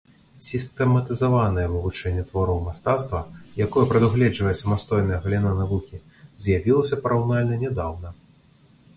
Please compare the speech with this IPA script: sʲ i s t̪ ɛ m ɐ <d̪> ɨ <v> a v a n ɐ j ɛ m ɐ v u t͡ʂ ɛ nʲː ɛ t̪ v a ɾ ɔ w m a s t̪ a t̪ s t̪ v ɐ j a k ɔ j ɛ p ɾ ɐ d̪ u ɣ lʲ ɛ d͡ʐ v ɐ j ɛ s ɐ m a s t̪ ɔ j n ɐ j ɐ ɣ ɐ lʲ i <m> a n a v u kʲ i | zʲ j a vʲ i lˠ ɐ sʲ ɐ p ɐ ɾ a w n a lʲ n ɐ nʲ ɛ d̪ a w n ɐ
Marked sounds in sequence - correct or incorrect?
incorrect: t̪, incorrect: z, incorrect: n

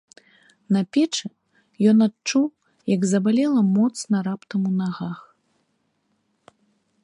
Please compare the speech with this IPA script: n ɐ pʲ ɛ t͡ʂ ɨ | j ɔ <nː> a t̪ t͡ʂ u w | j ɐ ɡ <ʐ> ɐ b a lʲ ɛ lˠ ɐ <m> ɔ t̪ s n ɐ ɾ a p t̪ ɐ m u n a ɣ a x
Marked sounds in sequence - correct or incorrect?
incorrect: n, incorrect: z, correct

